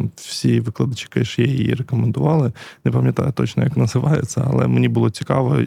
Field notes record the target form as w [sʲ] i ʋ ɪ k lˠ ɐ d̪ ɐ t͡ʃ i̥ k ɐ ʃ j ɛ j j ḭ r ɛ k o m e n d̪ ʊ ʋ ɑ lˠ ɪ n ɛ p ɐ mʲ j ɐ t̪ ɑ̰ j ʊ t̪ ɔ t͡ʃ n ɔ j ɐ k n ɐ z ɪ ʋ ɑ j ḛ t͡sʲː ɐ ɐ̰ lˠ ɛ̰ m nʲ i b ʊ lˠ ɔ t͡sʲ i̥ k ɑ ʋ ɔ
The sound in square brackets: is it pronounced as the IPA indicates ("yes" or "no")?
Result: yes